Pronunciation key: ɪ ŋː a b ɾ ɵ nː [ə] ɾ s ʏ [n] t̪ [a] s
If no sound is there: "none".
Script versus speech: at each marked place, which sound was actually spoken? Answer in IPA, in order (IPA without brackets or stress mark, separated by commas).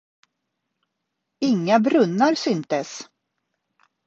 a, n, ə